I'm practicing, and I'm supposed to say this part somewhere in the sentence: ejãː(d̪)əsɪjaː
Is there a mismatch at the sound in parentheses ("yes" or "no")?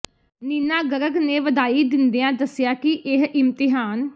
no